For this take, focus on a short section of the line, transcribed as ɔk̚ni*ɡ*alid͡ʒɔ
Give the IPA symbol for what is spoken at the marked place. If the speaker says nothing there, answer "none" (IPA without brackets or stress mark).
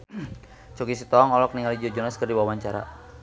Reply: ŋ